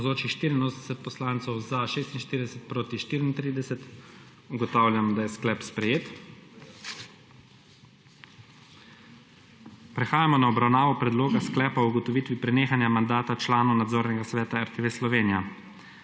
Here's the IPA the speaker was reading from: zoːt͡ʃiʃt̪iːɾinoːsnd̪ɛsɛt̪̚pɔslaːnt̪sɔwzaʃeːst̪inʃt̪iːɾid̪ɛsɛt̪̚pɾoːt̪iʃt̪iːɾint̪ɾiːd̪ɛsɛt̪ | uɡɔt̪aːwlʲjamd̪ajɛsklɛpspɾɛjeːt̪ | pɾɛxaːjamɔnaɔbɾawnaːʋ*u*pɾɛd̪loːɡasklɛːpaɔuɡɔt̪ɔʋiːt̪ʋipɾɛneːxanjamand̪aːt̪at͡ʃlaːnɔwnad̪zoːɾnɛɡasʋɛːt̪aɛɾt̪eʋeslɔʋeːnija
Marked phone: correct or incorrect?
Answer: incorrect